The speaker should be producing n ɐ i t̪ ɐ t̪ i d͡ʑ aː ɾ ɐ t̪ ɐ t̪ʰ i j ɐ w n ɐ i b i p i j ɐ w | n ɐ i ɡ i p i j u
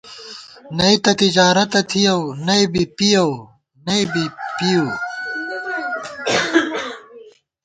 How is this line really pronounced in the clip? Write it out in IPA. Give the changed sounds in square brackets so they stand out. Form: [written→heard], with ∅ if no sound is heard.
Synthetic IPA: n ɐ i t̪ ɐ t̪ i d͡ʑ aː ɾ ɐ t̪ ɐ t̪ʰ i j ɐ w n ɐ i b i p i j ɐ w | n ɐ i [ɡ→b] i p i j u